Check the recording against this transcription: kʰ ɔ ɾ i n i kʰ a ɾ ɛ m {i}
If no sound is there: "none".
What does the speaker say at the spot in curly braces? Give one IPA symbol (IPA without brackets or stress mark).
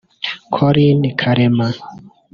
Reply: a